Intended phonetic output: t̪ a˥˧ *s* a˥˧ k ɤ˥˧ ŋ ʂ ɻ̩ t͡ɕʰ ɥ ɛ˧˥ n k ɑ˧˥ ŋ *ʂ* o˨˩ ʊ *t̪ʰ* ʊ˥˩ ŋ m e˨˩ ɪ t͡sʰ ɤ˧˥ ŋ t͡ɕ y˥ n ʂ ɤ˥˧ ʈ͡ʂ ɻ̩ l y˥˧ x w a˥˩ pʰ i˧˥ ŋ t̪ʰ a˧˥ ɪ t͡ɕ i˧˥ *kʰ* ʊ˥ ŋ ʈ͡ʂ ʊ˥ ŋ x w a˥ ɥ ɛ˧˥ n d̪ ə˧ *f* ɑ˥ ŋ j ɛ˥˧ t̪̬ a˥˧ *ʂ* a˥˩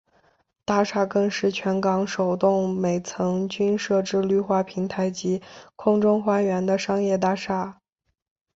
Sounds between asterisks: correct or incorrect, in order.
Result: incorrect: ʂ, correct, incorrect: t̪, correct, incorrect: ʂ, correct

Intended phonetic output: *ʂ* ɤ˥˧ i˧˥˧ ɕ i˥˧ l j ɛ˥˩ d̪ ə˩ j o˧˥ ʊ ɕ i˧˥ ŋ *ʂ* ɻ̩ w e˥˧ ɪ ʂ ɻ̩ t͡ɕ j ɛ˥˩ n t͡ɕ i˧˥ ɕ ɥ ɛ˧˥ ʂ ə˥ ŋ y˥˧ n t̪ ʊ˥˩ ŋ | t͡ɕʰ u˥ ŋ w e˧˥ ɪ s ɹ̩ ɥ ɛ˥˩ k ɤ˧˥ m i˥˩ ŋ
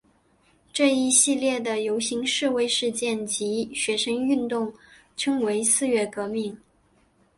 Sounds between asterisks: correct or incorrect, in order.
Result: incorrect: ʈ͡ʂ, correct

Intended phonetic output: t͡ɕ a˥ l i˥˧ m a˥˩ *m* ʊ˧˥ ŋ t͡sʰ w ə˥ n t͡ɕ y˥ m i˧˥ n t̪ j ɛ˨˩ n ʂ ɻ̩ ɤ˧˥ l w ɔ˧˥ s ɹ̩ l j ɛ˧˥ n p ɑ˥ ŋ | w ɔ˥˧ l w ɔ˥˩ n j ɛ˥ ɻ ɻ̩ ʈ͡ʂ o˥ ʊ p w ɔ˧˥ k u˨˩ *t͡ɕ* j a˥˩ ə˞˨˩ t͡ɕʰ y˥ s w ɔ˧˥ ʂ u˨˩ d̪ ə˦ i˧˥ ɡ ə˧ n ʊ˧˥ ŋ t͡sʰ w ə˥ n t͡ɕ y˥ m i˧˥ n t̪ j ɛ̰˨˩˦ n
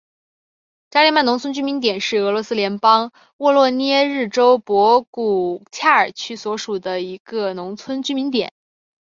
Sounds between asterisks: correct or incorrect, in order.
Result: incorrect: n, incorrect: t͡ɕʰ

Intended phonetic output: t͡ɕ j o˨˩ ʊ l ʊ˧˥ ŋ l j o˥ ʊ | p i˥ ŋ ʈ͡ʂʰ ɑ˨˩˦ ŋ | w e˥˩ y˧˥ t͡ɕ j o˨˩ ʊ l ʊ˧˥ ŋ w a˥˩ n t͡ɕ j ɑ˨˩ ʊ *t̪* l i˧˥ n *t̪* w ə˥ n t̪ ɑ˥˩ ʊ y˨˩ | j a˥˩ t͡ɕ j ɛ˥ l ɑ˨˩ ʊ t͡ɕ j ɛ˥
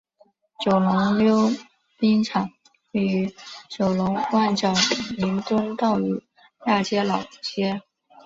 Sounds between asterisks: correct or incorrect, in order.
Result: incorrect: none, correct

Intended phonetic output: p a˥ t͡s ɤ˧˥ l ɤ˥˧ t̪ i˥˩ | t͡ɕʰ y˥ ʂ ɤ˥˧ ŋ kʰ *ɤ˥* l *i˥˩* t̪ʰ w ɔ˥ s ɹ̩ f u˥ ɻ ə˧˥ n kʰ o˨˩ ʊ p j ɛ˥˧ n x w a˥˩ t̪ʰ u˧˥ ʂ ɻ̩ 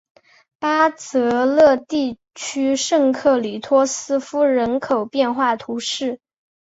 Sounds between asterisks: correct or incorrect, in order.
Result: incorrect: ɤ˥˩, incorrect: i˨˩

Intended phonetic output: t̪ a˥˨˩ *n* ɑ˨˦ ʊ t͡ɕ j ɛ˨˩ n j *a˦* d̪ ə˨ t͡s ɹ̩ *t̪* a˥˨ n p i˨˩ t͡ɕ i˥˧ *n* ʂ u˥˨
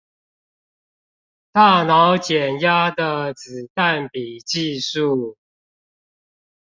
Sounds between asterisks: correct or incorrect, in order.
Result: correct, correct, correct, incorrect: none

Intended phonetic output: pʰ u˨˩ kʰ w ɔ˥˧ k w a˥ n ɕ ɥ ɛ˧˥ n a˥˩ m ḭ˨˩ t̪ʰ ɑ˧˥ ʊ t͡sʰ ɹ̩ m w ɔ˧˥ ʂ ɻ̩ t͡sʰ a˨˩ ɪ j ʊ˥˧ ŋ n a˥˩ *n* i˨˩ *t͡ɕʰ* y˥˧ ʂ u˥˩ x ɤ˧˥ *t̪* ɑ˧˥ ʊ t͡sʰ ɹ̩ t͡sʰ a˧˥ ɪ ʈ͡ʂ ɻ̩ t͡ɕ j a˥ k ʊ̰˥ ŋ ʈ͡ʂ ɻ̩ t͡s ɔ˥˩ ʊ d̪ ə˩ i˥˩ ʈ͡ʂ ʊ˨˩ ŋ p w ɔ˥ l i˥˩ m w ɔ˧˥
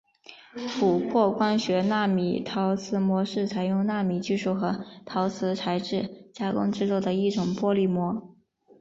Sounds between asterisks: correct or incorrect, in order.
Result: incorrect: m, incorrect: t͡ɕ, incorrect: t̪ʰ

